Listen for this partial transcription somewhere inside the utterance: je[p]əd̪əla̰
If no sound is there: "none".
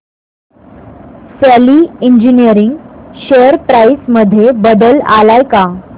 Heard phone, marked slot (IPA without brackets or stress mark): b